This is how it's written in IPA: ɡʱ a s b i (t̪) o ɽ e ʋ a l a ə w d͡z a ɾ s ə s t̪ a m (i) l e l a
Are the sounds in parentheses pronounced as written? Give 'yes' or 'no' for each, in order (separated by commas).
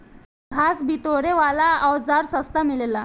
yes, yes